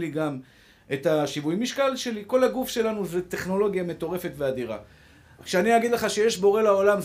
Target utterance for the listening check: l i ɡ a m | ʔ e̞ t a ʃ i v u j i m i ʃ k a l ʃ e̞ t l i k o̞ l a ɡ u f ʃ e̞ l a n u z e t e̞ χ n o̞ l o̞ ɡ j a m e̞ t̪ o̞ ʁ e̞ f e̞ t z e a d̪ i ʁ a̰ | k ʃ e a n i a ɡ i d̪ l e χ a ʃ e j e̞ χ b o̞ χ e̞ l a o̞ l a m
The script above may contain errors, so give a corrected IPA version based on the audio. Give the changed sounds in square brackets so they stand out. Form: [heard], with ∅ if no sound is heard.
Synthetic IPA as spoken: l i ɡ a m | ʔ e̞ t a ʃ i v u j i m i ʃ k a l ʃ e̞ [∅] l i k o̞ l a ɡ u f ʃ e̞ l a n u z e t e̞ χ n o̞ l o̞ ɡ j a m e̞ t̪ o̞ ʁ e̞ f e̞ t [v] e a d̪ i ʁ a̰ | k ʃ e a n i a ɡ i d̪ l e χ a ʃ e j e̞ [ʃ] b o̞ [ʁ] e̞ l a o̞ l a m